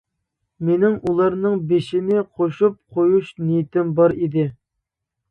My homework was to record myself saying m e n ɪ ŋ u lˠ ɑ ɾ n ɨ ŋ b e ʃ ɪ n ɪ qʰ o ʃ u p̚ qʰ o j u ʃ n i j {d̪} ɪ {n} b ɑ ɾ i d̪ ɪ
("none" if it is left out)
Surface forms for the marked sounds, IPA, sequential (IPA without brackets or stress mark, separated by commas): t̪, m